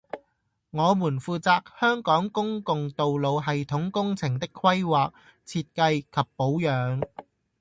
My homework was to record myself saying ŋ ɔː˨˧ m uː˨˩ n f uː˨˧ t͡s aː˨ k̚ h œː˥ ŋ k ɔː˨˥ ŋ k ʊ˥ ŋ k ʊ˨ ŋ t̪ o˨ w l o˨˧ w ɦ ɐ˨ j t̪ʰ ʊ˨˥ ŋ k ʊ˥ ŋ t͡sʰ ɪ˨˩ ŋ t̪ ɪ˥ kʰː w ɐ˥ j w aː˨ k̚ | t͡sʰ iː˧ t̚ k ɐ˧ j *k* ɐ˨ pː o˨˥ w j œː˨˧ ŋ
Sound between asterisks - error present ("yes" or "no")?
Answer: yes